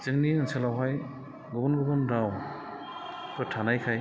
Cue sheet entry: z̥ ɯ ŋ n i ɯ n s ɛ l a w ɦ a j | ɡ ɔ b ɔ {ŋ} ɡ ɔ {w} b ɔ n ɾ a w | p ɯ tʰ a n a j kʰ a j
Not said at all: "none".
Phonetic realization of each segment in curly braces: n, none

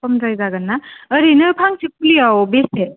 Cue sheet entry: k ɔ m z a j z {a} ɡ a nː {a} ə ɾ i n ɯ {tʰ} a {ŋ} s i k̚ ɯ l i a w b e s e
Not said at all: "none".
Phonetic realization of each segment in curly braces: a, a, pʰ, ŋ

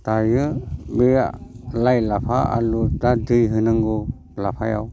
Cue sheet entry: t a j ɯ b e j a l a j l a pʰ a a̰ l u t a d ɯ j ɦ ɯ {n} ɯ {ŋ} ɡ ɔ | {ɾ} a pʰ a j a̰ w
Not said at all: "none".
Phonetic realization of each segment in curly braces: n, ŋ, l

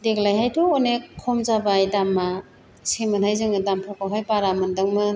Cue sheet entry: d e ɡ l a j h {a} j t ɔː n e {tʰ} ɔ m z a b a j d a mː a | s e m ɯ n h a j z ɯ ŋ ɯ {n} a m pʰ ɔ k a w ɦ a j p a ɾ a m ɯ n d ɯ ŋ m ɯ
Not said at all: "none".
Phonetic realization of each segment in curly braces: a, kʰ, d

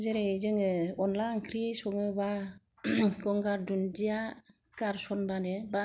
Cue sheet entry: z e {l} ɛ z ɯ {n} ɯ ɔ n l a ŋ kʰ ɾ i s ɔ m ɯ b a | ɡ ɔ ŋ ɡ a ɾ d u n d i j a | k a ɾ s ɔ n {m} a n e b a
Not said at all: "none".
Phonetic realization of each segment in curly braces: ɾ, ŋ, b

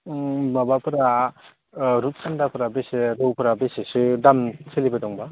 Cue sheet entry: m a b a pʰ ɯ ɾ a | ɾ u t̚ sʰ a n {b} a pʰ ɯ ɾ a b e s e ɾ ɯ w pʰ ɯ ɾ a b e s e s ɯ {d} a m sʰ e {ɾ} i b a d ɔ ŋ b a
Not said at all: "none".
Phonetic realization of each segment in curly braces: d, d, l

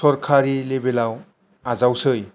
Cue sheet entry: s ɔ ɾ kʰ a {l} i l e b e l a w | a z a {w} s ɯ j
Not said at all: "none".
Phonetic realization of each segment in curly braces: ɾ, w

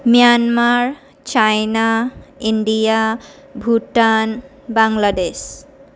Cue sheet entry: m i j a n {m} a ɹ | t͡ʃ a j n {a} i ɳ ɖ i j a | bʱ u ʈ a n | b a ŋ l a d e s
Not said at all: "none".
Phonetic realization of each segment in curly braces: m, a

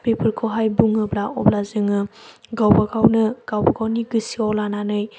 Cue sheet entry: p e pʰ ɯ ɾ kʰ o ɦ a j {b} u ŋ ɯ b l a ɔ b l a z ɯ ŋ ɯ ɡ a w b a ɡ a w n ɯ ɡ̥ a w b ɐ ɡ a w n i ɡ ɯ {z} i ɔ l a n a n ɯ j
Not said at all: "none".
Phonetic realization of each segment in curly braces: b, s

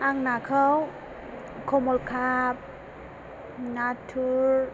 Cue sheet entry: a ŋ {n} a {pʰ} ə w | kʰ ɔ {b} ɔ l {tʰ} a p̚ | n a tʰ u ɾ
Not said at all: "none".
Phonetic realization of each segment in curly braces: n, kʰ, m, kʰ

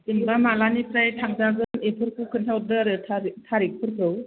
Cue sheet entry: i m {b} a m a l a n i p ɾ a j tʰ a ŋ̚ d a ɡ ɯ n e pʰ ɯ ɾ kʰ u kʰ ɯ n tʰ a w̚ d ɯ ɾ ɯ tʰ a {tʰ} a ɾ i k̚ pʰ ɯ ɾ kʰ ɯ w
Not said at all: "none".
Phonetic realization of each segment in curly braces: b, tʰ

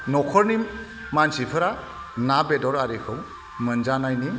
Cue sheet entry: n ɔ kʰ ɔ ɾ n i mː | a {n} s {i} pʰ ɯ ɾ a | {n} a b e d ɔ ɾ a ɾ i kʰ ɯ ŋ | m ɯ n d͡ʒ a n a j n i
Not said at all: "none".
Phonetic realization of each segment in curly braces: n, i, n

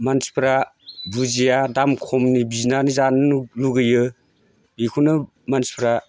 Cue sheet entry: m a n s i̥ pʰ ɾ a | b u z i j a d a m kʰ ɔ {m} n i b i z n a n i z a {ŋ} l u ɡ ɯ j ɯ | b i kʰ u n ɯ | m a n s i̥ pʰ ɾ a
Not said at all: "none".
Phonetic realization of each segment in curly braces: m, n

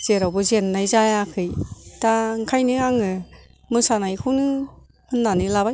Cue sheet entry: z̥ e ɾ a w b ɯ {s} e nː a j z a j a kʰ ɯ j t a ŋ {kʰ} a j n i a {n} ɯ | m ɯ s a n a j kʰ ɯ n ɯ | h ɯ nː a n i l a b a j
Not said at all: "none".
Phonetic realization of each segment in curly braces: z, kʰ, ŋ

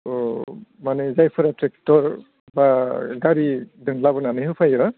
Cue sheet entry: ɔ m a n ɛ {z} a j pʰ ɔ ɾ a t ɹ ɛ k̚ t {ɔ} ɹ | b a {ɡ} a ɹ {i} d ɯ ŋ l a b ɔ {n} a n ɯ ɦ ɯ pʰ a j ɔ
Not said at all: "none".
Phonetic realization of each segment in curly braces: z, ɔ, ɡ, i, n

